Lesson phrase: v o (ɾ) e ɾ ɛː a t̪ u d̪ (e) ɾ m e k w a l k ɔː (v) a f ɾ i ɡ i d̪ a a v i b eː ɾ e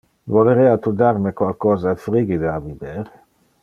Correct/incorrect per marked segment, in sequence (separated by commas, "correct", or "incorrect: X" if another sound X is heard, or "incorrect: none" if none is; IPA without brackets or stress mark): incorrect: l, incorrect: a, incorrect: z